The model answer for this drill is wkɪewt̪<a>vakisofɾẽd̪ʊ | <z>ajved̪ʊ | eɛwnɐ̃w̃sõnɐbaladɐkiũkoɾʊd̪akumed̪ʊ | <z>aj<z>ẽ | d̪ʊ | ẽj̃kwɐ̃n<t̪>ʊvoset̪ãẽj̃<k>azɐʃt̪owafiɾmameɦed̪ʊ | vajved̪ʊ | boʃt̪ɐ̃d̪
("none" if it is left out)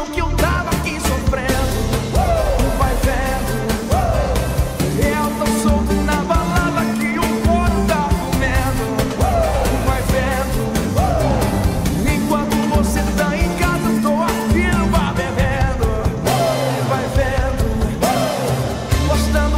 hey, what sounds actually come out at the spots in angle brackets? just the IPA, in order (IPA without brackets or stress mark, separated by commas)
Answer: a, v, v, v, t̪, k